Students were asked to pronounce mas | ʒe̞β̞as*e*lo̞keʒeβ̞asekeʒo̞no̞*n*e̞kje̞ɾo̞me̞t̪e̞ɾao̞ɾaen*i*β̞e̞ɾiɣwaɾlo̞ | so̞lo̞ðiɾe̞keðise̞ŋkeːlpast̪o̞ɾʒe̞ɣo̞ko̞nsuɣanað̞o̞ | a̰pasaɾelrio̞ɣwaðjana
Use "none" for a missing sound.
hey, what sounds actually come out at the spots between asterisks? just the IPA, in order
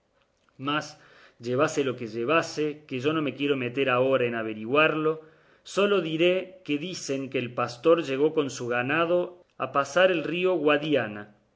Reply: e, m, a

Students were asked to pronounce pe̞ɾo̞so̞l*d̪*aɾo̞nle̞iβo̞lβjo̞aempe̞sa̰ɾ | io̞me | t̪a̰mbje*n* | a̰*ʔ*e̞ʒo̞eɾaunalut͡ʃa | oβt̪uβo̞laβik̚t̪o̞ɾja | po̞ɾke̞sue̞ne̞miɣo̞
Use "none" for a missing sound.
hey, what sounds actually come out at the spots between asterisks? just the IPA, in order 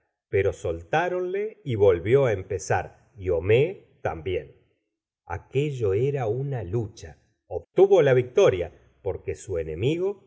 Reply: t̪, n, k

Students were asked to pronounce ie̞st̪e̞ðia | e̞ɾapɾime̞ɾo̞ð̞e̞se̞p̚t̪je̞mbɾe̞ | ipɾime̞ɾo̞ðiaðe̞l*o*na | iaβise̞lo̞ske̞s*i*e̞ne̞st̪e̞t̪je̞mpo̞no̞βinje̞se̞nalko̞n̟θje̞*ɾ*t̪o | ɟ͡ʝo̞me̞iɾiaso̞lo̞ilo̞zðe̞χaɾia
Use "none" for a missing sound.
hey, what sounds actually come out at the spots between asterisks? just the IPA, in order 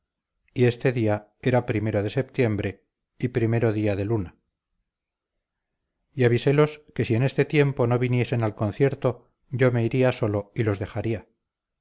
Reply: u, i, ɾ

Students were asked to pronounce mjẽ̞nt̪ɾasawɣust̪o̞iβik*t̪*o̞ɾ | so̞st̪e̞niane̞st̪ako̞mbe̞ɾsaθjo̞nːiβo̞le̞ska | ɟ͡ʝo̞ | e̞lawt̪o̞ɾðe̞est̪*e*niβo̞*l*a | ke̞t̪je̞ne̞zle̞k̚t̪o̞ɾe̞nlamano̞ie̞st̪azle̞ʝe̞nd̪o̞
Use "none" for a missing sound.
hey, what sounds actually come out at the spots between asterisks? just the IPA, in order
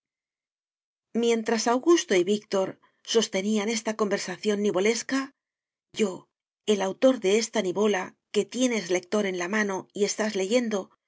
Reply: t̪, a, l

